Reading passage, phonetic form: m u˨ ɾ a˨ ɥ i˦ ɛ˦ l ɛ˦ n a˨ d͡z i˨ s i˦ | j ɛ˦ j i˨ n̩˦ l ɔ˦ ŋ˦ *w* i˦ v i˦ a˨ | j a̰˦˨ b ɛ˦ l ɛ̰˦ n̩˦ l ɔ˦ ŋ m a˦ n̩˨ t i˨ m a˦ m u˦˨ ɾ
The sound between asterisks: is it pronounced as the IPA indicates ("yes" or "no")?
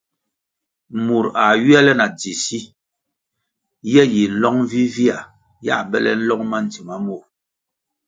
no